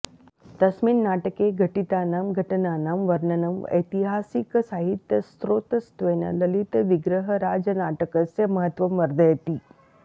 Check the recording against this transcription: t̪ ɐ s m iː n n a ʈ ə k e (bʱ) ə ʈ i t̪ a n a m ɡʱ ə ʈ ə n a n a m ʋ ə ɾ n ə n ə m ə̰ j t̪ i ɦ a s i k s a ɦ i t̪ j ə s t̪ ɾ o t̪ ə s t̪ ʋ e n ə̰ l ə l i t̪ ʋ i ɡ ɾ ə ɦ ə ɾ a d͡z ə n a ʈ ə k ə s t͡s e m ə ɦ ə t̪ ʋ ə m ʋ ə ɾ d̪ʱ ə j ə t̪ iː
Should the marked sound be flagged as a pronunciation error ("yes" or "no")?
yes